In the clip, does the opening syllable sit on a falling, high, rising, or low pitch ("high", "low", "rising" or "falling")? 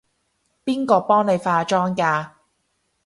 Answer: high